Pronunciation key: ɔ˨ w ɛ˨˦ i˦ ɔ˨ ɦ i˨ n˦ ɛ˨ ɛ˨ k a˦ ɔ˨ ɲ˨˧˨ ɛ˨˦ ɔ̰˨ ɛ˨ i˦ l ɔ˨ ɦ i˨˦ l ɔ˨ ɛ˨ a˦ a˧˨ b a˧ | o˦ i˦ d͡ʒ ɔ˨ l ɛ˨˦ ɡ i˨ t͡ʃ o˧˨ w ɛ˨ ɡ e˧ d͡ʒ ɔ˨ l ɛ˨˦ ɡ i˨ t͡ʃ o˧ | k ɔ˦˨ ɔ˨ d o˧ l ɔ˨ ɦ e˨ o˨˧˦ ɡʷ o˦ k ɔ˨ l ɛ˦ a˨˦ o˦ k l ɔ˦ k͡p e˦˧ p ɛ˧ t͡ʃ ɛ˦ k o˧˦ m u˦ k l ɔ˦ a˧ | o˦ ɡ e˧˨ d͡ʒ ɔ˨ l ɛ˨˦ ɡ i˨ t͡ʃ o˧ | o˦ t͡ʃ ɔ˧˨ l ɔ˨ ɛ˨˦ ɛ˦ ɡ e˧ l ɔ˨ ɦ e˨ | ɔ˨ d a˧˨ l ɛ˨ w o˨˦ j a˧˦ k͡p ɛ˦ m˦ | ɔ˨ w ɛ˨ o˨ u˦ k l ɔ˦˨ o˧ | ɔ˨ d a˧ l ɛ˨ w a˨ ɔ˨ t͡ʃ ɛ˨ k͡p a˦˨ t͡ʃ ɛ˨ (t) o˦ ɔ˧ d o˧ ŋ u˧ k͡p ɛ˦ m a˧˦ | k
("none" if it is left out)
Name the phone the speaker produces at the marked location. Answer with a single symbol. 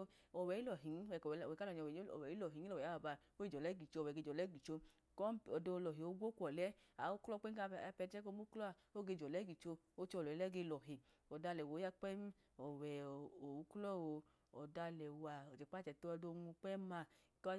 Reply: t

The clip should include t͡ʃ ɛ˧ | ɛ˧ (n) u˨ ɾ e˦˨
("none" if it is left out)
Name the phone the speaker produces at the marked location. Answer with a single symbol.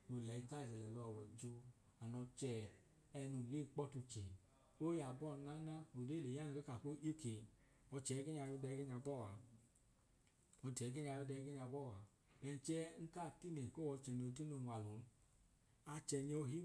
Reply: n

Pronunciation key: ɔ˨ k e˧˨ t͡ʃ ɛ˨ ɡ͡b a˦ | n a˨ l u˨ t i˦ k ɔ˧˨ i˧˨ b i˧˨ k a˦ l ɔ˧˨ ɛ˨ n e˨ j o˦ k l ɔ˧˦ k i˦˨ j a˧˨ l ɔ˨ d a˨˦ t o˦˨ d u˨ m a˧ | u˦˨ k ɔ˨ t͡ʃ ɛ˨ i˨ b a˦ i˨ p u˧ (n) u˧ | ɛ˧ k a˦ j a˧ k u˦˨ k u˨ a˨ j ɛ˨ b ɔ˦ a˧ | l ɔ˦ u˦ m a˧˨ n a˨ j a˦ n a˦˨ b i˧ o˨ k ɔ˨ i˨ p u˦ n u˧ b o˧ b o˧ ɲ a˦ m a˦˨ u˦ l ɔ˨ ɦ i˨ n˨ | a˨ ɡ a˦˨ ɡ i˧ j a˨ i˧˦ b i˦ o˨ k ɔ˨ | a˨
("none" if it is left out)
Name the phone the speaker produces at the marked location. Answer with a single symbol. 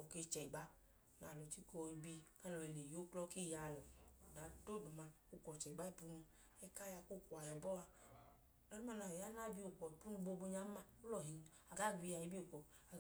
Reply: n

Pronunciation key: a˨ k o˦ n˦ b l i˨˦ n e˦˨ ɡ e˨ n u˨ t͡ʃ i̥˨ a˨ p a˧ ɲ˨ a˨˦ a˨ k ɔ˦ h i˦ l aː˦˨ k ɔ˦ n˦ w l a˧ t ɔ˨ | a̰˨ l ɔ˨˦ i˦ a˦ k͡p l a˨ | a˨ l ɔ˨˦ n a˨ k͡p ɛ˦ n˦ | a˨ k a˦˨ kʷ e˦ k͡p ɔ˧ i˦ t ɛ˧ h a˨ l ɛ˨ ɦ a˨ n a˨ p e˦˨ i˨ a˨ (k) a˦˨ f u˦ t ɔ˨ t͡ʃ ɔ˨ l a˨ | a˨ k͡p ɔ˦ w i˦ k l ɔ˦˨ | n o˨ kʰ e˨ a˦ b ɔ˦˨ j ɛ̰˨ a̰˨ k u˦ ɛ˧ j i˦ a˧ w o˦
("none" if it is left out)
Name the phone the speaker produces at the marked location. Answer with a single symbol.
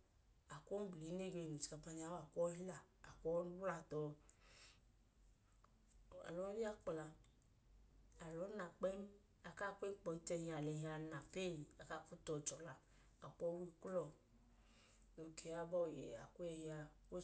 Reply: k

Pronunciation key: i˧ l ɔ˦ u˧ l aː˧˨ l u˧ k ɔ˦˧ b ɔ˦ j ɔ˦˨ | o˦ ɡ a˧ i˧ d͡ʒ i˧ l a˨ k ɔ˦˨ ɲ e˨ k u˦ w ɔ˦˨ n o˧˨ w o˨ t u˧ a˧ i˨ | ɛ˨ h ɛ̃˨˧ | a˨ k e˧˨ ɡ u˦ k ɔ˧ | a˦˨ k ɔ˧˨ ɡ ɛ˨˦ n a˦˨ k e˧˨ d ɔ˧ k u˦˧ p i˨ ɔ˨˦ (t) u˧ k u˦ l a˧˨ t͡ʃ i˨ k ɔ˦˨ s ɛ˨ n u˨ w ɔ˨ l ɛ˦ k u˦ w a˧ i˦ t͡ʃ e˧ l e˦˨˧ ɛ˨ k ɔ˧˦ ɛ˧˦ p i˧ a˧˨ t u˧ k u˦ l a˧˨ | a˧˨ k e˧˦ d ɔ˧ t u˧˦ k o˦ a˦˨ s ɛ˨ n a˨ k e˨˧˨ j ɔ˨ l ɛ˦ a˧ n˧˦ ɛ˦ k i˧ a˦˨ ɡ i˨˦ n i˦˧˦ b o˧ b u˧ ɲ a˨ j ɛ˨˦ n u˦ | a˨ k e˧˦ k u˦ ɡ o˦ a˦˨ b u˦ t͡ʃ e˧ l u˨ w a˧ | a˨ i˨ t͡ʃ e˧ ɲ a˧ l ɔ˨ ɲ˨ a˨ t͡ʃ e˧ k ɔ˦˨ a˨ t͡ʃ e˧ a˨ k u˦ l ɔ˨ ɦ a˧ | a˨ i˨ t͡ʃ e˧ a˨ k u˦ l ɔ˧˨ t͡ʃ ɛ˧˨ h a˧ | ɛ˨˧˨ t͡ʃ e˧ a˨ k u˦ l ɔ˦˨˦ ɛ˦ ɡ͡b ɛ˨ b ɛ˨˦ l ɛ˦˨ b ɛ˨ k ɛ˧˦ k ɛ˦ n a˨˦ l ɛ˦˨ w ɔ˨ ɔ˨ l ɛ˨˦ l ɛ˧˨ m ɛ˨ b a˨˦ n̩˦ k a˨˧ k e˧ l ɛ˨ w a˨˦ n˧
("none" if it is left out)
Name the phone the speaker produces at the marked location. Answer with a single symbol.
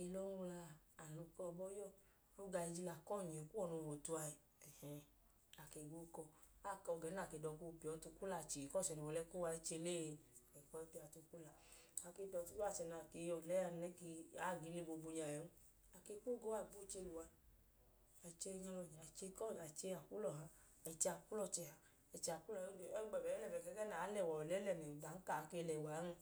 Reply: t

